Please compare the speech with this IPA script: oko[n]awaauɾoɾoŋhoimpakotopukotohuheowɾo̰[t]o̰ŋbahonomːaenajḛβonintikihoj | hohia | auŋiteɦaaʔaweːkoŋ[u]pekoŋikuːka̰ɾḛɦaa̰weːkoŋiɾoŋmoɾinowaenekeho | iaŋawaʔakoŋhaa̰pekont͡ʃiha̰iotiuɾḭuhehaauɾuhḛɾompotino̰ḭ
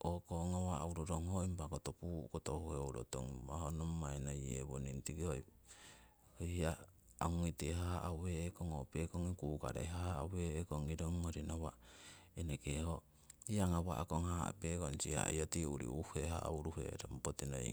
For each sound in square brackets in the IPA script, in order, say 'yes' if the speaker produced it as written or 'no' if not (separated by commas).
no, yes, no